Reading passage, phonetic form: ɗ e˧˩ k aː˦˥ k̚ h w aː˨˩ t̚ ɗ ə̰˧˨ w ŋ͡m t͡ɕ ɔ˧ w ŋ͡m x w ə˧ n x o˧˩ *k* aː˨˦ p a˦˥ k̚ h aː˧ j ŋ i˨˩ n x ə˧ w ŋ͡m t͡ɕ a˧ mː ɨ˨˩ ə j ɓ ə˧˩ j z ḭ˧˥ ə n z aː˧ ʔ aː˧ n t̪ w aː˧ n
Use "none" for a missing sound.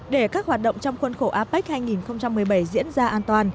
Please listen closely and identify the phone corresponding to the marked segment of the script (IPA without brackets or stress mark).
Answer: ʔ